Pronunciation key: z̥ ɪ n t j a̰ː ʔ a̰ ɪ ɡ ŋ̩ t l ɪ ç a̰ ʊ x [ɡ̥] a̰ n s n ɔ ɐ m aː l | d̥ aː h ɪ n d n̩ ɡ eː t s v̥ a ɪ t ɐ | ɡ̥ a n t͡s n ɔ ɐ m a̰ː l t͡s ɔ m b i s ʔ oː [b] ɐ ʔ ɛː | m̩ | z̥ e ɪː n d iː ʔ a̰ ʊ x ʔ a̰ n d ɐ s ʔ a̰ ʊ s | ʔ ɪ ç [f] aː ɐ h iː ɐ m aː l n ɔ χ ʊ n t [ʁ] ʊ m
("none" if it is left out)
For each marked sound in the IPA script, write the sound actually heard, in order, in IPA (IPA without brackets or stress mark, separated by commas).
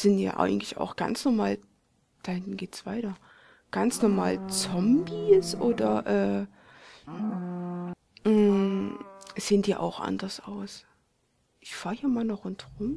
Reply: ɡ̥, d, f, ʁ